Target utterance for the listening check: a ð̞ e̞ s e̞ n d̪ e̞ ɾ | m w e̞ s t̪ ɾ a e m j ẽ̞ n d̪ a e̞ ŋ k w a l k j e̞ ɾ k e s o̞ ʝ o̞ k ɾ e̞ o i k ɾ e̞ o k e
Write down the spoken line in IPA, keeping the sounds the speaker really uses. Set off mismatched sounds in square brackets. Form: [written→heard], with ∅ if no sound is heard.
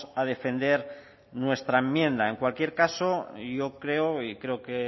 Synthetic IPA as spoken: a ð̞ e̞ [s→f] e̞ n d̪ e̞ ɾ | [m→n] w e̞ s t̪ ɾ a e m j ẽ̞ n d̪ a e̞ ŋ k w a l k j e̞ ɾ k [e→a] s o̞ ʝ o̞ k ɾ e̞ o i k ɾ e̞ o k e